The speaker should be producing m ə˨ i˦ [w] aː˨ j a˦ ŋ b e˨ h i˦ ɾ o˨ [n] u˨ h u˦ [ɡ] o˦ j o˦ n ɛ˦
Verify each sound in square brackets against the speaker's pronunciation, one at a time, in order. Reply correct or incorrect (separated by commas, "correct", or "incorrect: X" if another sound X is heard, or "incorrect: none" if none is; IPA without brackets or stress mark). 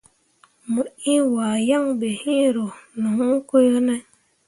correct, correct, incorrect: k